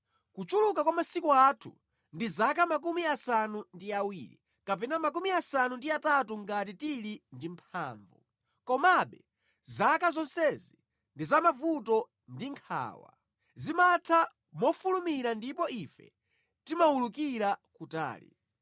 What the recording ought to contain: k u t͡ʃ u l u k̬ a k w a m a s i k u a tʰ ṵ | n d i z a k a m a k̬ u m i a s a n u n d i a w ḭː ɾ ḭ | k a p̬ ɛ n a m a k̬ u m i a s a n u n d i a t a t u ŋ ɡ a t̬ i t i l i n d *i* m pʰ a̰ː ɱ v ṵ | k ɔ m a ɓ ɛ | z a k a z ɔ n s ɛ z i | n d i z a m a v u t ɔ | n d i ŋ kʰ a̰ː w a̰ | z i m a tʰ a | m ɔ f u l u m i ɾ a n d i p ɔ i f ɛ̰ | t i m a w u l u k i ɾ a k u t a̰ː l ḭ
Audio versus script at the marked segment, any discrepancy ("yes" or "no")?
no